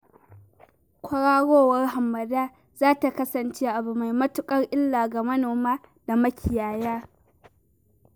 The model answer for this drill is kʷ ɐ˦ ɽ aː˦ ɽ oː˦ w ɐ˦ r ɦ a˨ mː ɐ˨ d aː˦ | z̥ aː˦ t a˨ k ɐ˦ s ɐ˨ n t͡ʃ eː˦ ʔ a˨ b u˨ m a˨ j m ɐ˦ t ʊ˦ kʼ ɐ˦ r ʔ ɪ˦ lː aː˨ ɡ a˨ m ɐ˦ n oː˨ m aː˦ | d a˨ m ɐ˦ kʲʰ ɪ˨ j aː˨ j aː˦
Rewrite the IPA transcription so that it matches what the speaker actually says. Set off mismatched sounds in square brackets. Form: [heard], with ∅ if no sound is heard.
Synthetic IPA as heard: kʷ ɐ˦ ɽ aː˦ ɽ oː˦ w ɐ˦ r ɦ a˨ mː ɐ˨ d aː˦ | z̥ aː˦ t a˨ k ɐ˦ s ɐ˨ n t͡ʃ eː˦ ʔ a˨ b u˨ m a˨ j m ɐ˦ t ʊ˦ kʼ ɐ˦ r ʔ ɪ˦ lː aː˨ ɡ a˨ m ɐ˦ n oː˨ m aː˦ | d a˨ m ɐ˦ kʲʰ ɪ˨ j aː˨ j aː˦

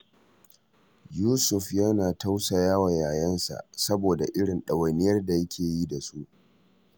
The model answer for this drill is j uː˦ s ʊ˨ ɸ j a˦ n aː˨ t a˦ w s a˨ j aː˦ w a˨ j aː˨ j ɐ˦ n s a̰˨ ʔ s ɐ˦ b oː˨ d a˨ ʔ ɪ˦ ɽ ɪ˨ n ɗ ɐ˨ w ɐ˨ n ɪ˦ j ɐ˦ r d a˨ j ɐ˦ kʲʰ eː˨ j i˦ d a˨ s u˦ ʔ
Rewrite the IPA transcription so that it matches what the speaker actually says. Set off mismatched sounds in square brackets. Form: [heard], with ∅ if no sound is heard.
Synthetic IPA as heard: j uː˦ s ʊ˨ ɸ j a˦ n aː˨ t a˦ w s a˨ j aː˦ w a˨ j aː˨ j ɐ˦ n s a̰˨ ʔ s ɐ˦ b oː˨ d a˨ ʔ ɪ˦ ɽ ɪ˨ n ɗ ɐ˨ w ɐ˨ n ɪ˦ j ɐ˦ r d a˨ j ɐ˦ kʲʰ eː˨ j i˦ d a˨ s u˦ ʔ

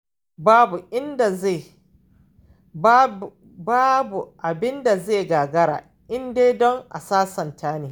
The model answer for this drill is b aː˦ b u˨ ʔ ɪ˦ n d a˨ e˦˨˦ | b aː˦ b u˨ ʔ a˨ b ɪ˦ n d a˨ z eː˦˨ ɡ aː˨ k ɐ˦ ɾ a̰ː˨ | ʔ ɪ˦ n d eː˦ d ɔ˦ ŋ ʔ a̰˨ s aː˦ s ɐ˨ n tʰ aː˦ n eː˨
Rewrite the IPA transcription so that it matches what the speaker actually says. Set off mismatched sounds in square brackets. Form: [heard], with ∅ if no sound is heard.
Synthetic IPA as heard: b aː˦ b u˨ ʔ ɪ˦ n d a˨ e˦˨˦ | b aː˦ b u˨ ʔ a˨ b ɪ˦ n d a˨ z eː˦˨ ɡ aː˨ [ɡ] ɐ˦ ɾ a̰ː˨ | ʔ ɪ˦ n d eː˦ d ɔ˦ ŋ ʔ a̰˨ s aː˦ s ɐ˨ n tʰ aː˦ n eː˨

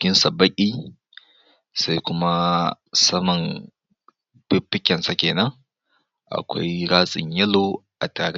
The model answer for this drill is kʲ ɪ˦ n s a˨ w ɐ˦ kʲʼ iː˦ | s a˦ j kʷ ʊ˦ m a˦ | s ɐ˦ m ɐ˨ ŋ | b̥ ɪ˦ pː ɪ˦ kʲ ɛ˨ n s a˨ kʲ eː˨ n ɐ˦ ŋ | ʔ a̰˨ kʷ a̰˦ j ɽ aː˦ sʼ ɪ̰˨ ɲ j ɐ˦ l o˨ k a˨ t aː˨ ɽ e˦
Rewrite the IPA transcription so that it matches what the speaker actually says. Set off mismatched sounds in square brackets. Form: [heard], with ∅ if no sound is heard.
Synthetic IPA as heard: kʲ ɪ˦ n s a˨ [b] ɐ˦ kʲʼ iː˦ | s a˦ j kʷ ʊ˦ m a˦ | s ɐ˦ m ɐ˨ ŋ | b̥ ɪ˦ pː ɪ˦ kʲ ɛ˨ n s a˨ kʲ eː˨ n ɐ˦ ŋ | ʔ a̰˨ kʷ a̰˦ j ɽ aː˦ sʼ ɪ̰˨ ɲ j ɐ˦ l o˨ [ʔ] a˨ t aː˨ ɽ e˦

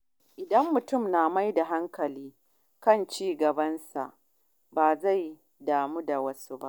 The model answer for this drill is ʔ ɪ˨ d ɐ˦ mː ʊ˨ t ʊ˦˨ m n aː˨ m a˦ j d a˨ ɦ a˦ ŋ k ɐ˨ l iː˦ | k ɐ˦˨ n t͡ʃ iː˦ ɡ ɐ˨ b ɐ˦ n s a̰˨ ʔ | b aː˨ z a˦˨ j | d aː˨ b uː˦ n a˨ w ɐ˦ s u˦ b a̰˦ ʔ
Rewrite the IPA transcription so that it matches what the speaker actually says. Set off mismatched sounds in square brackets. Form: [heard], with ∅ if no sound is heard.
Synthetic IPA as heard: ʔ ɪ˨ d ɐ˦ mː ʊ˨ t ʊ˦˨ m n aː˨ m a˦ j d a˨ ɦ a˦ ŋ k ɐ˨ l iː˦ | k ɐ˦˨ n t͡ʃ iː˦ ɡ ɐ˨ b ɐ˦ n s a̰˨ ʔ | b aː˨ z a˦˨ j | d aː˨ [m] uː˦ [d] a˨ w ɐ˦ s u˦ b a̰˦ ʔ

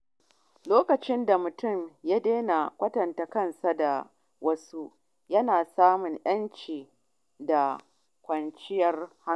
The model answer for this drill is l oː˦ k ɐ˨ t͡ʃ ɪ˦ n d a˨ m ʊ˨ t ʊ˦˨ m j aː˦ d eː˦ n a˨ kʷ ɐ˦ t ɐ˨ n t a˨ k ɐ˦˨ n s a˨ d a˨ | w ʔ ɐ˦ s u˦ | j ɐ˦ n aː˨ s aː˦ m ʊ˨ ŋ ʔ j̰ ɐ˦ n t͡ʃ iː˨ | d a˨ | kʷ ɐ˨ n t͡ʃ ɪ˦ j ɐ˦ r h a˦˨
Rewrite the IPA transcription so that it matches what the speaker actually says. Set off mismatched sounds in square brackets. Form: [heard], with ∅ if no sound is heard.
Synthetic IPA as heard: l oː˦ k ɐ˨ t͡ʃ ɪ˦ n d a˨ m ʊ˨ t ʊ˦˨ m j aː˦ d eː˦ n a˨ kʷ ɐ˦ t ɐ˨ n t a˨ k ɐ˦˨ n s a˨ d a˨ | w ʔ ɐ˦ s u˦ | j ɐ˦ n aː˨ s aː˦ m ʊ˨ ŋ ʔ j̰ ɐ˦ n t͡ʃ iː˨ | d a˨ | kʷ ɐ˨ n t͡ʃ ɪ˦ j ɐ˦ r h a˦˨

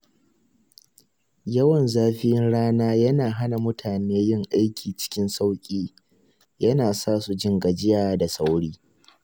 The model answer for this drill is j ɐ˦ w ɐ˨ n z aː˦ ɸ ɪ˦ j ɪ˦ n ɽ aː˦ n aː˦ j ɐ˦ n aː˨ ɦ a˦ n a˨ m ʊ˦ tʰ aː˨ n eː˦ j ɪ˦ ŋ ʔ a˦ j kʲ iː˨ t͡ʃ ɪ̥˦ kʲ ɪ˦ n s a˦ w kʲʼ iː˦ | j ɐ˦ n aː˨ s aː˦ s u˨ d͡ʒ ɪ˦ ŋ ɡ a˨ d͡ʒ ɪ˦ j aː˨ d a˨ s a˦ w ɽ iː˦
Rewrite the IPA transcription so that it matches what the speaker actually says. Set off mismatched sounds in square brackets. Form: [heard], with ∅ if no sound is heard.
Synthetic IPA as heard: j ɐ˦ w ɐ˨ n z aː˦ ɸ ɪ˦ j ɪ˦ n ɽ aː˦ n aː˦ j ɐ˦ n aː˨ ɦ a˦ n a˨ m ʊ˦ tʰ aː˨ n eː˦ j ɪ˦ ŋ ʔ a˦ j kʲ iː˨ t͡ʃ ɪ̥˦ kʲ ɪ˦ n s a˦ w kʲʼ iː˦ | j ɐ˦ n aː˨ s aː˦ s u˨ d͡ʒ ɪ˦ ŋ ɡ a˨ d͡ʒ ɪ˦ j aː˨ d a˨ s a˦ w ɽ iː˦

